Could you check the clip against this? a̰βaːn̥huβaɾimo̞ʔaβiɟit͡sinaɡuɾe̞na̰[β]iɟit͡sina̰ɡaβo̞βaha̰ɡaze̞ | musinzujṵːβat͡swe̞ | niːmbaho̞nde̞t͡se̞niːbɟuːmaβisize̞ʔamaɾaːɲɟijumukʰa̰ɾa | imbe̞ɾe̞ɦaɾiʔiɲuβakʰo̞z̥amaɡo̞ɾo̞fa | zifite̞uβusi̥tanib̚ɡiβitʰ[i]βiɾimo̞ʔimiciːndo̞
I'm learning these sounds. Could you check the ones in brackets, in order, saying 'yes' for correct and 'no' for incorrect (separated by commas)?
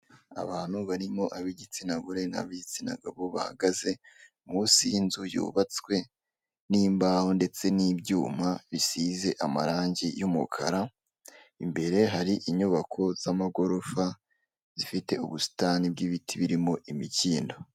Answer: yes, yes